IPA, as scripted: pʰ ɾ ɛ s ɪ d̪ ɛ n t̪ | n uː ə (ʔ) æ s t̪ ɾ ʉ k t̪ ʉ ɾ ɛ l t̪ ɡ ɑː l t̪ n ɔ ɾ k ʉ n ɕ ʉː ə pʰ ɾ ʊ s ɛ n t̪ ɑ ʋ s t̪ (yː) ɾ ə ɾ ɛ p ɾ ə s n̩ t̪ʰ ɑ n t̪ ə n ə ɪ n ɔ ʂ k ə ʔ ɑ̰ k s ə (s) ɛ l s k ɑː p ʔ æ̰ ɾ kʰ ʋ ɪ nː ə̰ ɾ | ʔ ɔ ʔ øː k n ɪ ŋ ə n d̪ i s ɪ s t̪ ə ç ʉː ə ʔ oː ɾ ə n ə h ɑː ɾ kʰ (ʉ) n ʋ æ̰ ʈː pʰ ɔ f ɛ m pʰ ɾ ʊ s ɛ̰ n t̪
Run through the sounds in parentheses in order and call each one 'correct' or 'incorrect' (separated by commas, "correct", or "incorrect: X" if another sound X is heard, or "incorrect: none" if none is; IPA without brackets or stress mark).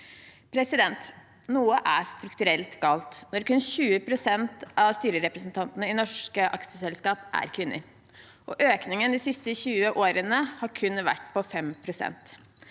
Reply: correct, correct, correct, correct